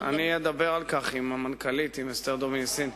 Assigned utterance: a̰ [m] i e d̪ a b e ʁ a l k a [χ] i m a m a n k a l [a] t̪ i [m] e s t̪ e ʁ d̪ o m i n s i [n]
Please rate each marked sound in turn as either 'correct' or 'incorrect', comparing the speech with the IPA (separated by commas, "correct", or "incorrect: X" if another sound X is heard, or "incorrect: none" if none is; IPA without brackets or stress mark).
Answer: incorrect: n, correct, incorrect: i, correct, correct